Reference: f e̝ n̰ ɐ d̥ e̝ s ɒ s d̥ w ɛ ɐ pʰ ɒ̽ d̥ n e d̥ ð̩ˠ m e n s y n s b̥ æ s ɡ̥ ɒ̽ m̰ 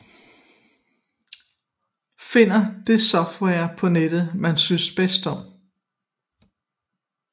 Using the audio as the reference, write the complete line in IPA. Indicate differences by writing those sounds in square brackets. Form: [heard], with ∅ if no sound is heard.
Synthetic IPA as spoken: f e̝ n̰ ɐ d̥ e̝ s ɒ [f] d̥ w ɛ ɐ pʰ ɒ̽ [∅] n e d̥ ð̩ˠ m [æ] n s y n s b̥ [e] s [d̥] ɒ̽ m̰